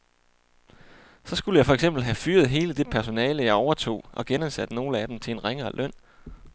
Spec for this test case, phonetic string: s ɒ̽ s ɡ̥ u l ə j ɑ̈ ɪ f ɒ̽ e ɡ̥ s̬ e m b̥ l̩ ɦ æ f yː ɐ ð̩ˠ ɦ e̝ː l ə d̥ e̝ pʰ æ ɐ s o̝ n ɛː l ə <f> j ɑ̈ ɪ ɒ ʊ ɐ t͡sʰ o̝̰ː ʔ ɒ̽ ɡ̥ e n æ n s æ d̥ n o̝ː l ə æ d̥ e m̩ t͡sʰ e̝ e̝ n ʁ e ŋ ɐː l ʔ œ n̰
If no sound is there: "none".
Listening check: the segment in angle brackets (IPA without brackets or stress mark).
none